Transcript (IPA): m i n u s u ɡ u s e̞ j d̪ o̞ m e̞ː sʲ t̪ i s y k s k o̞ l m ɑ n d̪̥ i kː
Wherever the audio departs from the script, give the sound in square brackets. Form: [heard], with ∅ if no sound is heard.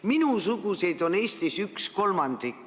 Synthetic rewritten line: m i n u s u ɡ u s e̞ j d̪ o̞ [n] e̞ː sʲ t̪ i s y k s k o̞ l m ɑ n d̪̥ i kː